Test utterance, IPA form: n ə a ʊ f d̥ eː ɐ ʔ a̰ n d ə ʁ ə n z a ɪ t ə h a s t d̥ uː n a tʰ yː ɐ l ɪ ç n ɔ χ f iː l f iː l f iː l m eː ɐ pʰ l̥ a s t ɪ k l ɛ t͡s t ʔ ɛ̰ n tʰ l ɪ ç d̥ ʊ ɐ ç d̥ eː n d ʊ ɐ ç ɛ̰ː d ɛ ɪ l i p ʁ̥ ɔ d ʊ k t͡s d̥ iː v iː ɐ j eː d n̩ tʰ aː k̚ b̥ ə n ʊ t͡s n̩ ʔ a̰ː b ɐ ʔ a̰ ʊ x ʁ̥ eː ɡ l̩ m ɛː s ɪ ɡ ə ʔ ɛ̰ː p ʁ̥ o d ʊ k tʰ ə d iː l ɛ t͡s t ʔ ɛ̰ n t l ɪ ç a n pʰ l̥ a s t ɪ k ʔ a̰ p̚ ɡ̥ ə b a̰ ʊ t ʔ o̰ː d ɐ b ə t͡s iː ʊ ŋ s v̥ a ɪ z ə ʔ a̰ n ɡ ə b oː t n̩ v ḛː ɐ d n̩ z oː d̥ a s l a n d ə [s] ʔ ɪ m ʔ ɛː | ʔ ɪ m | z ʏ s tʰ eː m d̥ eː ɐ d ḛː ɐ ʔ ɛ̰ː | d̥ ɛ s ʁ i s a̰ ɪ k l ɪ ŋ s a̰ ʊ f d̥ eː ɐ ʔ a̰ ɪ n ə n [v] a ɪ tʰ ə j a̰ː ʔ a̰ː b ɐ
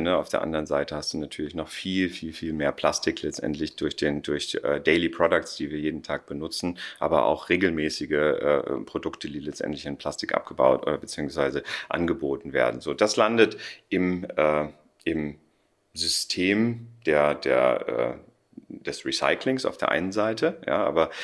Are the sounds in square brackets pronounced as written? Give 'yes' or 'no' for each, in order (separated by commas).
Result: no, no